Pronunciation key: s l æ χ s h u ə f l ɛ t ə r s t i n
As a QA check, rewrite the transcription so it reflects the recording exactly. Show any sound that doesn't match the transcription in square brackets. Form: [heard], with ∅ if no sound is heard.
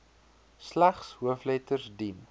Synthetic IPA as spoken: s l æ χ s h u ə f l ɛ t ə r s [d] i n